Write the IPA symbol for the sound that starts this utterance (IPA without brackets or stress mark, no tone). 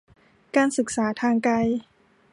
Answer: k